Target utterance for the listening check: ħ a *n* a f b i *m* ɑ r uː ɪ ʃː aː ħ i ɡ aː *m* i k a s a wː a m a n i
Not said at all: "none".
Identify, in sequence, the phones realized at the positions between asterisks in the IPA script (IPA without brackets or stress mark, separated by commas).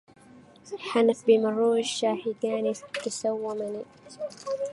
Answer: n, m, n